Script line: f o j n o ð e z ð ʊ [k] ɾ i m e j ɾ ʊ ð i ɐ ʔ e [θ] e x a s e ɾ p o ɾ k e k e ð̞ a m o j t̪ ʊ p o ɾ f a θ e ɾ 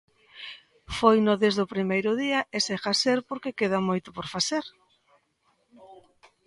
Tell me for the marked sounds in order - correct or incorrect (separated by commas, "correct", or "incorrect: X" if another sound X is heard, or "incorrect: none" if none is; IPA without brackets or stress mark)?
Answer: incorrect: p, incorrect: s